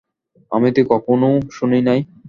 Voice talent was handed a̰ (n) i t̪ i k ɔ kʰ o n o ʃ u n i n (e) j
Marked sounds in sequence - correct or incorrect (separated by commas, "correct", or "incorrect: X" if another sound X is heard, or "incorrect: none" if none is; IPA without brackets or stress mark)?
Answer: incorrect: m, incorrect: a